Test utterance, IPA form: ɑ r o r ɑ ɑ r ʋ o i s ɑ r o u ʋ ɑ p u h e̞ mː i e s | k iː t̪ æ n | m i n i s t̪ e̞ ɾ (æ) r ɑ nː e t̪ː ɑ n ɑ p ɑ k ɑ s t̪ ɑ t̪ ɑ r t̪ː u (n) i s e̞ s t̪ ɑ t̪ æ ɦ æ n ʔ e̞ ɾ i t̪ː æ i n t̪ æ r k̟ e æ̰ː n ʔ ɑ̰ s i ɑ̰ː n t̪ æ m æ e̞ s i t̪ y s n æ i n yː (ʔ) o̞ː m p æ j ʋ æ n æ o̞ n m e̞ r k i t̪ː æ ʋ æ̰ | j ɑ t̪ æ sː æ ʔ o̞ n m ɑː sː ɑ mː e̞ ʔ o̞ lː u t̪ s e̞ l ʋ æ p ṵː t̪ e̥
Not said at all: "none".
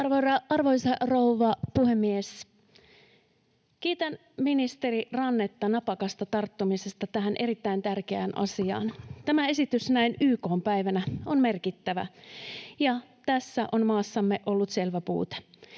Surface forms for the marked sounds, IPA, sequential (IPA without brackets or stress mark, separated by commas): i, m, k